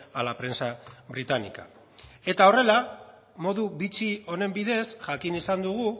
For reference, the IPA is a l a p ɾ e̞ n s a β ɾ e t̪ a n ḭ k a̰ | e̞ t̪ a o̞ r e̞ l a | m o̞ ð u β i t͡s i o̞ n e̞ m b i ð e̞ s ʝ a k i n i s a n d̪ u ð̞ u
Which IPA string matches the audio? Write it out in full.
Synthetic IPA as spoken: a l a p ɾ e̞ n s a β ɾ i t̪ a n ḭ k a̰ | e̞ t̪ a o̞ r e̞ l a | m o̞ ð u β i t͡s i o̞ n e̞ m b i ð e̞ s ʝ a k i n i s a n d̪ u ɣ̞ u